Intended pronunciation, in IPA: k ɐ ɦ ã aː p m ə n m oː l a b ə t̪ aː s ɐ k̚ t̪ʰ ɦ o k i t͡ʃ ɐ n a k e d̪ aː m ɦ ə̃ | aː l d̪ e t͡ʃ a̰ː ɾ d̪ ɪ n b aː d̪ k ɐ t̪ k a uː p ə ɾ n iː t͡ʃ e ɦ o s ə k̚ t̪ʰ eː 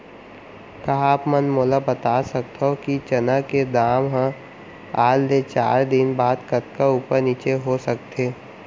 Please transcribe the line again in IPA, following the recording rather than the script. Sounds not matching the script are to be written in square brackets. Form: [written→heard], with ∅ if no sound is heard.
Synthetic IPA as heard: k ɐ ɦ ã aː p m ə n m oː l a b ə t̪ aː s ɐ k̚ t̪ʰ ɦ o k i t͡ʃ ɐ n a k e d̪ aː m ɦ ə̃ | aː l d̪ e t͡ʃ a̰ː ɾ d̪ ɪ n b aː d̪ k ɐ t̪ k a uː p ə ɾ n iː t͡ʃ e ɦ o s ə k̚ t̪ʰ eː